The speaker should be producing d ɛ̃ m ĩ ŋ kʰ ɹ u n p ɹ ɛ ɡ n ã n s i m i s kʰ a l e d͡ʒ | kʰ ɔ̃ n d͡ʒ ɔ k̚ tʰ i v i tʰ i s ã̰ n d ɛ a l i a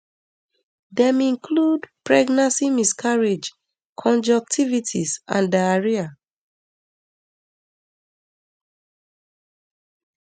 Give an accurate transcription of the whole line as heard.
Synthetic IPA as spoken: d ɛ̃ m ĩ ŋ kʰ l u d p ɹ ɛ ɡ n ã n s i m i s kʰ a ɹ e d͡ʒ | kʰ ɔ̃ n d͡ʒ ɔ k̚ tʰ i v i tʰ i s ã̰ n d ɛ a ɹ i a